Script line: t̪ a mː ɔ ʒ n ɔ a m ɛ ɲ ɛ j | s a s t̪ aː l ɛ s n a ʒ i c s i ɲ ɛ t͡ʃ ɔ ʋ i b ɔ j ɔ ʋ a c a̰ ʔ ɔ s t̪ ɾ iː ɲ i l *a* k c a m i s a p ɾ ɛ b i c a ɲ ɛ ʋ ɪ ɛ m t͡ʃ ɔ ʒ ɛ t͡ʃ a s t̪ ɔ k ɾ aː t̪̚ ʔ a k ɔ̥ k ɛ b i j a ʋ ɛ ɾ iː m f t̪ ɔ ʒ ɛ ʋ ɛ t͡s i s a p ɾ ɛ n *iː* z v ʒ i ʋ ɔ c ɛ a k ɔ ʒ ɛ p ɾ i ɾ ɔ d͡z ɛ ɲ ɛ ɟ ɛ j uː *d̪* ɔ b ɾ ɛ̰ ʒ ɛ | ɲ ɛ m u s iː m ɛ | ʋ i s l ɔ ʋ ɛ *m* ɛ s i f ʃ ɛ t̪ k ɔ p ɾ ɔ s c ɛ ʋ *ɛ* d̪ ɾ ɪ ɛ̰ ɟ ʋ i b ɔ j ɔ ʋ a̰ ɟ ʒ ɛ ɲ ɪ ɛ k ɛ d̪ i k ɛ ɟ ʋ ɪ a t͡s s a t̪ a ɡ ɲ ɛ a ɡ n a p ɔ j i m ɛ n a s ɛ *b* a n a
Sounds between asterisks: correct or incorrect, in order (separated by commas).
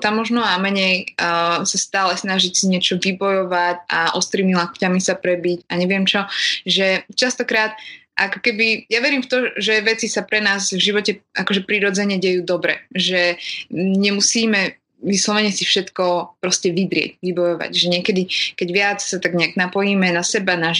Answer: correct, incorrect, correct, incorrect, incorrect, correct